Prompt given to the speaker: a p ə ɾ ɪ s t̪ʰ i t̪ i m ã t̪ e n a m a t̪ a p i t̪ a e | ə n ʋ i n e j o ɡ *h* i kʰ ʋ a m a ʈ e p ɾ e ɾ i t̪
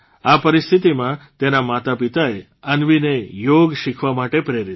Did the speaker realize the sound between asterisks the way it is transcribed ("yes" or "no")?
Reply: no